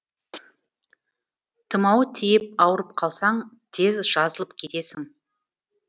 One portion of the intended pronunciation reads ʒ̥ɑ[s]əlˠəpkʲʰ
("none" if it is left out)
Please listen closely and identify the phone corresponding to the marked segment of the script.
z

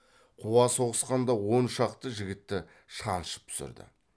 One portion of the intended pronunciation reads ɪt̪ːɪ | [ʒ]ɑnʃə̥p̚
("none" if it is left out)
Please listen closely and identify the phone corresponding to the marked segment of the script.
ʃ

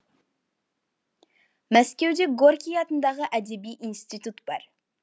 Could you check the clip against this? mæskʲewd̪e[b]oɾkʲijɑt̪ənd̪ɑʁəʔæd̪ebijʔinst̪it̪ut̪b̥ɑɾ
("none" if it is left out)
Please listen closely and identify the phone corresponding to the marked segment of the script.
ɡ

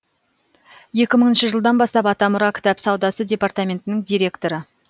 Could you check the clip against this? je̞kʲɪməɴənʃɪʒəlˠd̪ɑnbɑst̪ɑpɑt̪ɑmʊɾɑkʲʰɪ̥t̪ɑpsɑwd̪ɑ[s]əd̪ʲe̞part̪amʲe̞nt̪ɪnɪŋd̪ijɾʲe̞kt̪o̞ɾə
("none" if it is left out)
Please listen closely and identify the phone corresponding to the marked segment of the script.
s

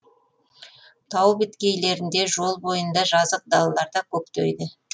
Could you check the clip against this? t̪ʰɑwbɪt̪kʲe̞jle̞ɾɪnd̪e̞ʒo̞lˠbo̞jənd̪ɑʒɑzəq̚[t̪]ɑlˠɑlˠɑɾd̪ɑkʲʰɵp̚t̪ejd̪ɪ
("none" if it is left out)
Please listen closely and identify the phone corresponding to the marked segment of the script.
d̪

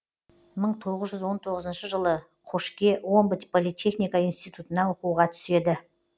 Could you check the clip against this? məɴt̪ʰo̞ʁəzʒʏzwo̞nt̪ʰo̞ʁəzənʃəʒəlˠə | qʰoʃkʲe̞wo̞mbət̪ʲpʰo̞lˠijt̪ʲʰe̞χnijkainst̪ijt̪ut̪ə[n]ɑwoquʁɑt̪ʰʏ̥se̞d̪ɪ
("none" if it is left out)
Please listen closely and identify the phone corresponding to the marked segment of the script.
n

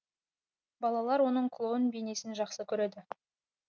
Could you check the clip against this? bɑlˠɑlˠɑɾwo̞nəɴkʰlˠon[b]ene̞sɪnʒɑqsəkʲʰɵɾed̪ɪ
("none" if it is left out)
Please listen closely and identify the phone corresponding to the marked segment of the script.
b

